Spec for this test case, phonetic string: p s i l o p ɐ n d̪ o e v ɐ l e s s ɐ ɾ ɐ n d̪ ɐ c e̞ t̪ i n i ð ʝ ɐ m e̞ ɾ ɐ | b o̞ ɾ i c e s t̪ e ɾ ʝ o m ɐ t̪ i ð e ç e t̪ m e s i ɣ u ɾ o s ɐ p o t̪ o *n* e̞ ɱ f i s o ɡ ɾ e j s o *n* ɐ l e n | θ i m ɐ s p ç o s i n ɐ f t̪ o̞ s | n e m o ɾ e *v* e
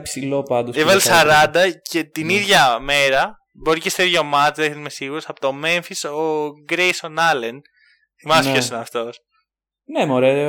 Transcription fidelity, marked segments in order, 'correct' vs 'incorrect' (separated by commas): incorrect, correct, incorrect